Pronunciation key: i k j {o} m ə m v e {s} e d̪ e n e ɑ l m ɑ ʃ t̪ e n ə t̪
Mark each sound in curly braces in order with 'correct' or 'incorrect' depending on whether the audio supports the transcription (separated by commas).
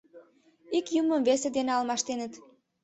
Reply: incorrect, correct